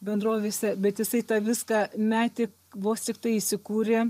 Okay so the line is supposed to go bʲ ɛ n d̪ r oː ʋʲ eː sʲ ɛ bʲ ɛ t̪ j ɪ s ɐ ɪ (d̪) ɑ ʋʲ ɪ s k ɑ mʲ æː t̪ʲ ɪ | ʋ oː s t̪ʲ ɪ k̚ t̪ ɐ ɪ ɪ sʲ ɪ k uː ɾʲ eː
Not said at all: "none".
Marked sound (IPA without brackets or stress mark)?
t̪